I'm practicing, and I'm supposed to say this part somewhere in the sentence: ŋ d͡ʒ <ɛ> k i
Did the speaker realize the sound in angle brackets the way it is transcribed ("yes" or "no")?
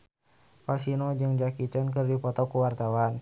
no